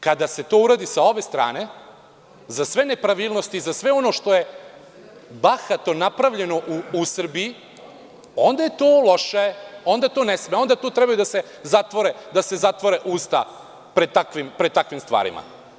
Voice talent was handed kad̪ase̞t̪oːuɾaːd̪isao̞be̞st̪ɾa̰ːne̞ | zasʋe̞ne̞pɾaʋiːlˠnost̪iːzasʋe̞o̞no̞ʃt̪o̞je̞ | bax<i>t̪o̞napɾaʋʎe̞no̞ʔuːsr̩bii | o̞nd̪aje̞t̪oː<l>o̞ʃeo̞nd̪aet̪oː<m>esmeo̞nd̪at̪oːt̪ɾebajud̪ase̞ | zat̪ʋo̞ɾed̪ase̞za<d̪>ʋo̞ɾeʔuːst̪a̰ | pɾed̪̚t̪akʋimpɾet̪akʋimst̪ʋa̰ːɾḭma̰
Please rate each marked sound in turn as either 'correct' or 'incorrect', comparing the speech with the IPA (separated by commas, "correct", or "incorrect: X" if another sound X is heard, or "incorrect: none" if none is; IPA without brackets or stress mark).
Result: incorrect: a, correct, incorrect: n, incorrect: t̪